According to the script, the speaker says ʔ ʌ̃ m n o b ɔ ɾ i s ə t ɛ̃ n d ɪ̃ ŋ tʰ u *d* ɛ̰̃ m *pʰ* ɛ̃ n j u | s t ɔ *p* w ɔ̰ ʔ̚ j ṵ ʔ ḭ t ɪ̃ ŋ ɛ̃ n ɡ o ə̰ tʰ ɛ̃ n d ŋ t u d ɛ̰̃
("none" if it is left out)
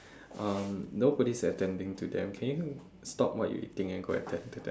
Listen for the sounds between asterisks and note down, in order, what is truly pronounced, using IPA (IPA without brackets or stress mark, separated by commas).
d, kʰ, p